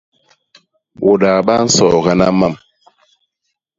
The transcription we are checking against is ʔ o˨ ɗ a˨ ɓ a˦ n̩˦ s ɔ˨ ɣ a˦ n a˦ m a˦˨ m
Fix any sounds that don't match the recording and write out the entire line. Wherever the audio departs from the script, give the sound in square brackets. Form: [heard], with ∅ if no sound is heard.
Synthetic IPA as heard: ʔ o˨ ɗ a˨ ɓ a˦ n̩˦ s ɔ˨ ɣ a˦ n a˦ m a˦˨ m